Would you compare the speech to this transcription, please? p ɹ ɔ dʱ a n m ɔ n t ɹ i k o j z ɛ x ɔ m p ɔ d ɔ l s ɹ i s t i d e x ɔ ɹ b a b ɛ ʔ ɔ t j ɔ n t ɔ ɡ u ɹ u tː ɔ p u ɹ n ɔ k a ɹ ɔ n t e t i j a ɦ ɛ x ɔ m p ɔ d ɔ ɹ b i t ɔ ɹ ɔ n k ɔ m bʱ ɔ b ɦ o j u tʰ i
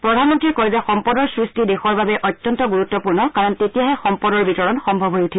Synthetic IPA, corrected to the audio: p ɹ ɔ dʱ a n m ɔ n t ɹ i k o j z ɛ x ɔ m p ɔ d ɔ ɹ s ɹ i s t i d e x ɔ ɹ b a b ɛ ʔ ɔ t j ɔ n t ɔ ɡ u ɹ u tː ɔ p u ɹ n ɔ k a ɹ ɔ n t e t i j a ɦ ɛ x ɔ m p ɔ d ɔ ɹ b i t ɔ ɹ ɔ n x ɔ m bʱ ɔ b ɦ o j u tʰ i

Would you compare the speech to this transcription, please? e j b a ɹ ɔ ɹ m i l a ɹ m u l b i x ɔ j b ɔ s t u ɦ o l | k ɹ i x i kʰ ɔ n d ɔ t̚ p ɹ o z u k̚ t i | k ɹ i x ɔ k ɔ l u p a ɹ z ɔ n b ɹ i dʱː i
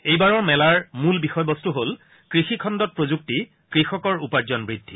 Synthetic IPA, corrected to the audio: e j b a ɹ ɔ ɹ m ɛ l a ɹ m u l b i x ɔ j b ɔ s t u ɦ o l | k ɹ i x i kʰ ɔ n d ɔ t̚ p ɹ o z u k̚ t i | k ɹ i x ɔ k ɔ ɹ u p a ɹ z ɔ n b ɹ i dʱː i

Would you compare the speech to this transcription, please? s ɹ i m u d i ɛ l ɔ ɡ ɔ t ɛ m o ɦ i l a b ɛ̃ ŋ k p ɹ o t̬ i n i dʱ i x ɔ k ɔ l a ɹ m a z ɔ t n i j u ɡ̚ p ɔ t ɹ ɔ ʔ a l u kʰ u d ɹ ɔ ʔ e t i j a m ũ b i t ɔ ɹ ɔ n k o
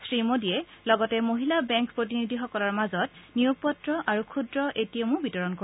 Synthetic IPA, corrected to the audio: s ɹ i m o d i ɛ l ɔ ɡ ɔ t ɛ m o ɦ i l a b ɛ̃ ŋ k p ɹ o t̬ i n i dʱ i x ɔ k ɔ l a ɹ m a z ɔ t n i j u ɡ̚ p ɔ t ɹ ɔ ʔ a ɹ u kʰ u d ɹ ɔ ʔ e t i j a m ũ b i t ɔ ɹ ɔ n k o

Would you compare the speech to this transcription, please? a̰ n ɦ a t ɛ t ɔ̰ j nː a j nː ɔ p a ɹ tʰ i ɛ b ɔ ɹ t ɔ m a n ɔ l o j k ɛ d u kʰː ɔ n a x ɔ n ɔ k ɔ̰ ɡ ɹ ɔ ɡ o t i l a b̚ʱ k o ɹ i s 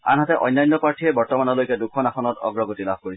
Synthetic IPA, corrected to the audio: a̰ n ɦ a t ɛ ʔ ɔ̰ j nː a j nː ɔ p a ɹ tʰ i ɛ b ɔ ɹ t ɔ m a n ɔ l o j k ɛ d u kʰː ɔ n a x ɔ n ɔ t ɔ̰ ɡ ɹ ɔ ɡ o t i l a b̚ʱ k o ɹ i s

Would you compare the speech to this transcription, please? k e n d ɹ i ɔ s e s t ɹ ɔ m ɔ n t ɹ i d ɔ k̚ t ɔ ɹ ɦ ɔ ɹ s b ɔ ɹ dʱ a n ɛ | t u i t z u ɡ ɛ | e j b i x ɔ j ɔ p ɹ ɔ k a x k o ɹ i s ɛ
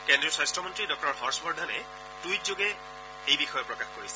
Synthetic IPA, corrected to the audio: k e n d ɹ i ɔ s a s t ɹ ɔ m ɔ n t ɹ i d ɔ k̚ t ɔ ɹ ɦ ɔ ɹ s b ɔ ɹ dʱ a n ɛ | t u j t z o ɡ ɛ | e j b i x ɔ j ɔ p ɹ ɔ k a x k o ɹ i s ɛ

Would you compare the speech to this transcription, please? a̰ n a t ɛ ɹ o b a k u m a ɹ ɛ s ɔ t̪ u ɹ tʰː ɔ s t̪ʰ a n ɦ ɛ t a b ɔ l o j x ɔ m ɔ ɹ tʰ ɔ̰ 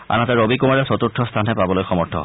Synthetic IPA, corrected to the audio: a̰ n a t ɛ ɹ o b i k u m a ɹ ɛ s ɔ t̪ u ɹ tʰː ɔ s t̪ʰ a n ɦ ɛ p a b ɔ l o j x ɔ m ɔ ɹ tʰ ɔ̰

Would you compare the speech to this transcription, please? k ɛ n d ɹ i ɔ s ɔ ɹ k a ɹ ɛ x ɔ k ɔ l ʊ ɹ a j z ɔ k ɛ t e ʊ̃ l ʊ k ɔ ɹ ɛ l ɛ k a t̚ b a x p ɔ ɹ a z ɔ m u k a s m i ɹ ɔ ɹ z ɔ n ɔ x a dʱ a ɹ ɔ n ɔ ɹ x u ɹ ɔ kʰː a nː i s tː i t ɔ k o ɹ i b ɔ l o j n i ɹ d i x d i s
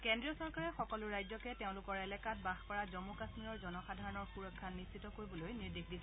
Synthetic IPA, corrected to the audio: k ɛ n d ɹ i ɔ s ɔ ɹ k a ɹ ɛ x ɔ k ɔ l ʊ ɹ a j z ɔ k ɛ t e ʊ̃ l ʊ k ɔ ɹ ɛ l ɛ k a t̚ b a x p ɔ ɹ a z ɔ m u k a s m i ɹ ɔ ɹ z ɔ n ɔ x a dʱ a ɹ ɔ n ɔ ɹ x u ɹ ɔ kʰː a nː i s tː i t ɔ k o ɹ i b ɔ l o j n i ɹ d i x d i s

